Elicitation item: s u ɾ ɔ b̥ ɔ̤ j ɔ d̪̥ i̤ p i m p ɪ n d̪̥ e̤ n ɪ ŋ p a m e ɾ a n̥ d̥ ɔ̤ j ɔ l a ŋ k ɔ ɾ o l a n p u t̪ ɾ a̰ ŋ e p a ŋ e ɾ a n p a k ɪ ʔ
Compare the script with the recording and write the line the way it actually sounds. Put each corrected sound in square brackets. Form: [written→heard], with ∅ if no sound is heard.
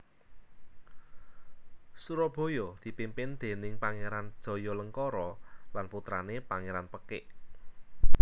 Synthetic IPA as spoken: s u ɾ ɔ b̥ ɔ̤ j ɔ d̪̥ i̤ p i m p ɪ n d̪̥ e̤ n ɪ ŋ p a [m→ŋ] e ɾ a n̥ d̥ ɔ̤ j ɔ l [a→ə] ŋ k ɔ ɾ [o→ɔ] l a n p u t̪ ɾ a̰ [ŋ→n] e p a ŋ e ɾ a n p [a→ə] k ɪ ʔ